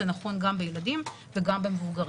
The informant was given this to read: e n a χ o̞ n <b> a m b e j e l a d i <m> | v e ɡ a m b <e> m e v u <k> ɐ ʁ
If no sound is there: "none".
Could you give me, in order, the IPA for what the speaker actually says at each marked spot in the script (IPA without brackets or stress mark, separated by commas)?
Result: ɡ, m, e, ɡ